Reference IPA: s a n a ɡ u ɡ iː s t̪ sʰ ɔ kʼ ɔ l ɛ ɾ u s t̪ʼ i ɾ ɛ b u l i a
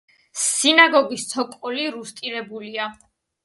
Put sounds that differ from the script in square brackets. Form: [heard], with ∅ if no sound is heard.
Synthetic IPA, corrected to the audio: s [i] n a ɡ [ɔ] ɡ [i] s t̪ sʰ ɔ kʼ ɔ l [i] ɾ u s t̪ʼ i ɾ ɛ b u l i a